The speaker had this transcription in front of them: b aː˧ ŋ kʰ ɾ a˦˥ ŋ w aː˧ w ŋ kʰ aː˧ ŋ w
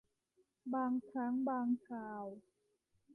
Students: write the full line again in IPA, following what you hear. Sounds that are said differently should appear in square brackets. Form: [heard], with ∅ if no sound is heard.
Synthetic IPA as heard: b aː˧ ŋ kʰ ɾ a˦˥ ŋ [b] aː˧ [∅] ŋ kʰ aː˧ [∅] w